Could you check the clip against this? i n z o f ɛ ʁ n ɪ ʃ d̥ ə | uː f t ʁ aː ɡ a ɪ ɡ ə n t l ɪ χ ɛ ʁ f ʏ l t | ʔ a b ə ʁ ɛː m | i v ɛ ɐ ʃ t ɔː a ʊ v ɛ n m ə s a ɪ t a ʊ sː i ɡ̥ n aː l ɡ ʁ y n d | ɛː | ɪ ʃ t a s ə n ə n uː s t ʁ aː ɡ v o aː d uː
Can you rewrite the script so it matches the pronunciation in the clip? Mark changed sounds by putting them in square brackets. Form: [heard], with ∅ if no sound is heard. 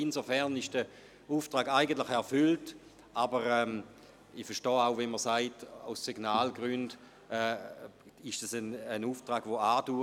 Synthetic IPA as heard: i n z o f ɛ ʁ n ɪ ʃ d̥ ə | uː f t ʁ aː ɡ a ɪ ɡ ə n t l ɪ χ ɛ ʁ f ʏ l t | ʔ a b ə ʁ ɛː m | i [f] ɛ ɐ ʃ t ɔː a ʊ v ɛ n m ə s a ɪ t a ʊ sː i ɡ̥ n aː l ɡ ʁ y n d | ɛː | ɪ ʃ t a s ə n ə n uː [f] t ʁ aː ɡ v o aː d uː

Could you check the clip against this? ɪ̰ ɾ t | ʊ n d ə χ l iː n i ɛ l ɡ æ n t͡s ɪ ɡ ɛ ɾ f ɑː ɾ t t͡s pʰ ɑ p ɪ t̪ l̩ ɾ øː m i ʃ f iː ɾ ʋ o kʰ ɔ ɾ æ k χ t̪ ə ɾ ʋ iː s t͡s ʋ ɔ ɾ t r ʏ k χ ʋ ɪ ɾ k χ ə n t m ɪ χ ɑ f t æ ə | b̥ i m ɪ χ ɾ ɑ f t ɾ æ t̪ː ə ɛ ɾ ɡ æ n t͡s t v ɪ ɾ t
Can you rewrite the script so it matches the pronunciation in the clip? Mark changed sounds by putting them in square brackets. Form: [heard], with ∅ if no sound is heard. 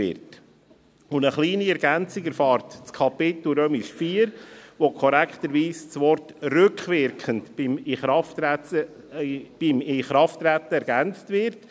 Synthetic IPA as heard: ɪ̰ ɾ t | ʊ n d ə χ l iː n i ɛ [ɾ] ɡ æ n t͡s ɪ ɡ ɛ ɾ f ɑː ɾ t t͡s [kʰ] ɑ p ɪ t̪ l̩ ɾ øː m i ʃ f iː ɾ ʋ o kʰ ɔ ɾ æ k χ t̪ ə ɾ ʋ iː s t͡s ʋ ɔ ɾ t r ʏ k χ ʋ ɪ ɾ k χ ə n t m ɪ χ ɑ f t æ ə | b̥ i m ɪ χ ɾ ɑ f t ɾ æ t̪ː ə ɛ ɾ ɡ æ n t͡s t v ɪ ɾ t

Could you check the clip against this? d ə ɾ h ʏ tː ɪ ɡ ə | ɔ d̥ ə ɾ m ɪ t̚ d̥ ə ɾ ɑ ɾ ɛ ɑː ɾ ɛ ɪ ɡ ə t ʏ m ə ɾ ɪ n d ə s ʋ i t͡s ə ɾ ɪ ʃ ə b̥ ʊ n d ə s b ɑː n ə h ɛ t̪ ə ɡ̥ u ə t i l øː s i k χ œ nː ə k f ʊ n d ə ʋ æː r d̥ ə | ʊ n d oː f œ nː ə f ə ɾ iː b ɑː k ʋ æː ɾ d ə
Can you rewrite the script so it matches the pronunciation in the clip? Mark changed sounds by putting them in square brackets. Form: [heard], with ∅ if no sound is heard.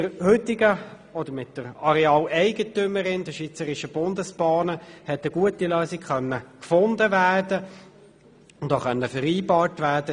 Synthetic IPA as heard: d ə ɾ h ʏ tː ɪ ɡ ə | ɔ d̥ ə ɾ m ɪ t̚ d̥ ə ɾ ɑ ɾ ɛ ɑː [l] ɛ ɪ ɡ ə t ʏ m ə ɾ ɪ n d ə [ʃ] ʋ i t͡s ə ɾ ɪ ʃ ə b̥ ʊ n d ə s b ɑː n ə h ɛ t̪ ə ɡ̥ u ə t i l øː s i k χ œ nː ə k f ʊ n d ə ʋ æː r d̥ ə | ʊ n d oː [χ] œ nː ə f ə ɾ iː b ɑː [t] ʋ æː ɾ d ə

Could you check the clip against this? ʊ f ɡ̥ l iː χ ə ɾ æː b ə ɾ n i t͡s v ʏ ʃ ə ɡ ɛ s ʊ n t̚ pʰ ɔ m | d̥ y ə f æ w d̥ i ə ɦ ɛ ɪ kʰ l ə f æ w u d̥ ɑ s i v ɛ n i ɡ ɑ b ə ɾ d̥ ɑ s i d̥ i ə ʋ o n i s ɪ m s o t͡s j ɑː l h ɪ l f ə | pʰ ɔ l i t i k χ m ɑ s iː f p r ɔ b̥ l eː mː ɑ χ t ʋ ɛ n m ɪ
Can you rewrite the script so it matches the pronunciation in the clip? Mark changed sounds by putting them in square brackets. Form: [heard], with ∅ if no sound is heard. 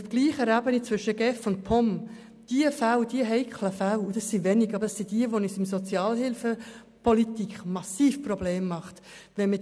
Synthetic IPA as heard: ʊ f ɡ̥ l iː χ ə ɾ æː b ə [∅] n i t͡s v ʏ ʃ ə ɡ ɛ [f] ʊ n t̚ pʰ ɔ m | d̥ [i] ə f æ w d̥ i ə ɦ ɛ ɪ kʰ l ə f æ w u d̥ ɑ s i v ɛ n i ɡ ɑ b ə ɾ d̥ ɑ s i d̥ i ə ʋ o n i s ɪ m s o t͡s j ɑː l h ɪ l f ə | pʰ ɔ l i t i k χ m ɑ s iː f p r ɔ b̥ l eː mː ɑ χ t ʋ ɛ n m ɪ

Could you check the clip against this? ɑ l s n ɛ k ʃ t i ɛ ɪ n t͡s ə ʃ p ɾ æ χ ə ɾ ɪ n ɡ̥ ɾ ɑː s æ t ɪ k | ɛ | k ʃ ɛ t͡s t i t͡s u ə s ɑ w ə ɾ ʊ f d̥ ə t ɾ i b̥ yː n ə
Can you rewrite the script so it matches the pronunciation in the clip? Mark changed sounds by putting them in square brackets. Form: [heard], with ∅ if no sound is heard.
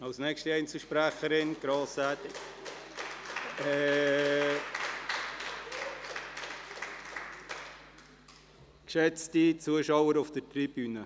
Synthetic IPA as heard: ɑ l s n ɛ k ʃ t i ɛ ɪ n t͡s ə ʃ p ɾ æ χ ə ɾ ɪ n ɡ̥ ɾ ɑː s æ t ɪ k | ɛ | k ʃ ɛ t͡s t i t͡s u ə [ʃ] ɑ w ə ɾ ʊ f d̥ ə t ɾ i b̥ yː n ə

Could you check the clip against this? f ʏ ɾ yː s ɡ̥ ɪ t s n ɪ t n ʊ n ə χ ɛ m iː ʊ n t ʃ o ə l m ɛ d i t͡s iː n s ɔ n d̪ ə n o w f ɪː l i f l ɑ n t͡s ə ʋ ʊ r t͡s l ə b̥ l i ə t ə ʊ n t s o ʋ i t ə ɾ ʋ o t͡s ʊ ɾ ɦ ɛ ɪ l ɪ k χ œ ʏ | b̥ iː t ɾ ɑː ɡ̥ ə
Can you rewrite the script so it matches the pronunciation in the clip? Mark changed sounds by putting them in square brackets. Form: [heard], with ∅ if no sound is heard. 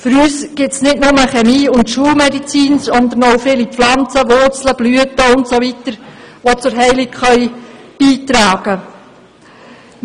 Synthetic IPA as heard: f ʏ ɾ yː s ɡ̥ ɪ t s n ɪ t n ʊ [m] ə χ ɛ m iː ʊ n t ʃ [u] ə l m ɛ d i t͡s iː n s ɔ n d̪ ə n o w f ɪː l i f l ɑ n t͡s ə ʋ ʊ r t͡s l ə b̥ l [y] ə t ə ʊ n t s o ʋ i t ə ɾ ʋ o t͡s ʊ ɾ ɦ ɛ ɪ l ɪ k χ œ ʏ | b̥ iː t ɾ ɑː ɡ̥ ə

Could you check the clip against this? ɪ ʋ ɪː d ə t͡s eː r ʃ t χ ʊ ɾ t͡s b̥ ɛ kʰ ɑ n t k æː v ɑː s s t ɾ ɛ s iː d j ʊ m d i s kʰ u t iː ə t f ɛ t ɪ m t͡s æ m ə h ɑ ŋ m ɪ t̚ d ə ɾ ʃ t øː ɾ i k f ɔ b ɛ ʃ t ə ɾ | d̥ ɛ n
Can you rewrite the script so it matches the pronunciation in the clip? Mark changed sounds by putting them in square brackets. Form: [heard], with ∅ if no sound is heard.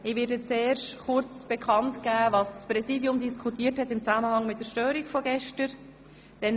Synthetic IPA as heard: ɪ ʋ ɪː d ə t͡s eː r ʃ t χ ʊ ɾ t͡s b̥ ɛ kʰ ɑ n t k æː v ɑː s s [p] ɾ ɛ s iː d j ʊ m d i s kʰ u t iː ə t [h] ɛ t ɪ m t͡s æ m ə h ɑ ŋ m ɪ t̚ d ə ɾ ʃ t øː ɾ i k f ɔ [ɡ] ɛ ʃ t ə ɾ | d̥ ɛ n

